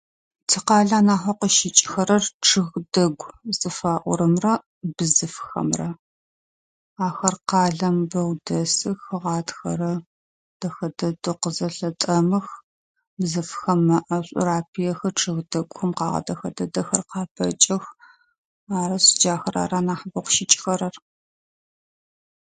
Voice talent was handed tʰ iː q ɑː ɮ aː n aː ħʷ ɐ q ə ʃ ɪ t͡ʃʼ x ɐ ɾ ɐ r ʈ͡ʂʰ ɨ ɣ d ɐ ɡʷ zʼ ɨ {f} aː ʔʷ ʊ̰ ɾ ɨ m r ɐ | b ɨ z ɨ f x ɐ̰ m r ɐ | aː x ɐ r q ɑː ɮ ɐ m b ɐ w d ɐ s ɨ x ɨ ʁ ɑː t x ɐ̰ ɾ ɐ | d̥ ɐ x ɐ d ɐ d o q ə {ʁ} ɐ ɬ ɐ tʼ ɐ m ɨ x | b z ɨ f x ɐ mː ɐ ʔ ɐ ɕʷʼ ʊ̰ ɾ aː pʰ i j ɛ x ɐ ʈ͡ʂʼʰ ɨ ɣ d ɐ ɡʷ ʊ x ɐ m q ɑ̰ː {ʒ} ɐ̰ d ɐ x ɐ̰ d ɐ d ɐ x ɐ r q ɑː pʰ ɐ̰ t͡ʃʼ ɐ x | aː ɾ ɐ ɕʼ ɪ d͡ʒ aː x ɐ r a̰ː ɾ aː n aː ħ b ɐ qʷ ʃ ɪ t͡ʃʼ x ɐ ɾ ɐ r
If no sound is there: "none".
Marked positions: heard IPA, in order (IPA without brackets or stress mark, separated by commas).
f, z, ʁ